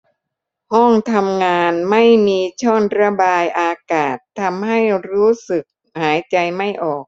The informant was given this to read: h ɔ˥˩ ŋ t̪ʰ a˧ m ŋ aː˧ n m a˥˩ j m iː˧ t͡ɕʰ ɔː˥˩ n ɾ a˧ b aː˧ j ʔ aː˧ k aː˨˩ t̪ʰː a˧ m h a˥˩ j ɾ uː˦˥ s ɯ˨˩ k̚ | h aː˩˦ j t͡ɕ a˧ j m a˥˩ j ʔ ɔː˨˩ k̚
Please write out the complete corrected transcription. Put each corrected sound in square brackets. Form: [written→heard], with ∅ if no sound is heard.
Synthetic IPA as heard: h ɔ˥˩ ŋ t̪ʰ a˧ m ŋ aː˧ n m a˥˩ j m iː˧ t͡ɕʰ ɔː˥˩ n ɾ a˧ b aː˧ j ʔ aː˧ k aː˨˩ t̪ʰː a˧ m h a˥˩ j ɾ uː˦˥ s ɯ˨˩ k̚ | h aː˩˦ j t͡ɕ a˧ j m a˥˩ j ʔ ɔː˨˩ k̚